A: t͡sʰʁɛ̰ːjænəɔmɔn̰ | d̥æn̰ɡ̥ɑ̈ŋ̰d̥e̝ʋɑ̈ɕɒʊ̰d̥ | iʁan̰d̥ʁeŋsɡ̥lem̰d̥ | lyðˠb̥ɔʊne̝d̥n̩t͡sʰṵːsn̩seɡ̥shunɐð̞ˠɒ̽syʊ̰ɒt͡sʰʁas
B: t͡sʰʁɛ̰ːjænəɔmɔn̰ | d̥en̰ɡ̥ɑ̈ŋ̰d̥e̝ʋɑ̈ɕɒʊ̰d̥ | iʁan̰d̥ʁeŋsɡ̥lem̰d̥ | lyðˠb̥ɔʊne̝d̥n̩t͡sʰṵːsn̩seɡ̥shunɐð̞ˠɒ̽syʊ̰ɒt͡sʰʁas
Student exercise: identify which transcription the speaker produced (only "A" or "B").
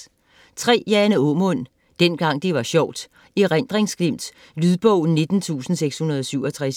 B